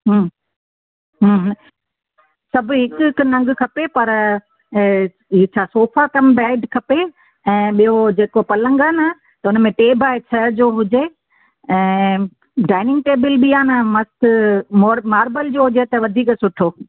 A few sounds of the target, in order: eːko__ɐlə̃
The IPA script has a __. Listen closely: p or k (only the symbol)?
p